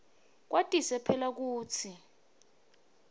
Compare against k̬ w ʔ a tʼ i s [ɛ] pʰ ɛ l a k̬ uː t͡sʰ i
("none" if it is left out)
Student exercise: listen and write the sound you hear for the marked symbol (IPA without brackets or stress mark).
ɛ